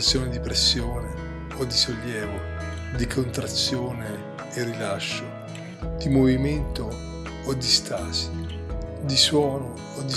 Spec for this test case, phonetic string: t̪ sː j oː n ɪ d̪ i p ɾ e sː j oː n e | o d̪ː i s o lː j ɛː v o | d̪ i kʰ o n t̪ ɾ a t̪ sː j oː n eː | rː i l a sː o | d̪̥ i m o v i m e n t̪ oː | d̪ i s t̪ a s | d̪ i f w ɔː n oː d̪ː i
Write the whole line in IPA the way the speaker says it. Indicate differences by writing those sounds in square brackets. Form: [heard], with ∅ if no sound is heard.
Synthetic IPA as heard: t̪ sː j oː n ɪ d̪ i p ɾ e sː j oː n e | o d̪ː i s o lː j ɛː v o | d̪ i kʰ o n t̪ ɾ a t̪ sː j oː n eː | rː i l a [ʃː] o | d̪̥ i m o v i m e n t̪ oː | d̪ i s t̪ a s | d̪ i [s] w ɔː n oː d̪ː i